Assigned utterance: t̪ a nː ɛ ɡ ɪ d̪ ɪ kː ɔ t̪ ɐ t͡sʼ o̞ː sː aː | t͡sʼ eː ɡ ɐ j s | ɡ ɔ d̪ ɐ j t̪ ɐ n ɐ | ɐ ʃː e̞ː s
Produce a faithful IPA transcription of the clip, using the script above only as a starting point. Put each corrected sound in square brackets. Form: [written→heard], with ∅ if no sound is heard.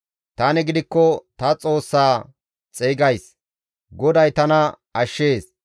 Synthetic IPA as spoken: t̪ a [nː→n] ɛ ɡ ɪ d̪ ɪ kː ɔ t̪ ɐ t͡sʼ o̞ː sː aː | t͡sʼ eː ɡ ɐ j s | ɡ ɔ d̪ ɐ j t̪ ɐ n ɐ | ɐ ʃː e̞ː s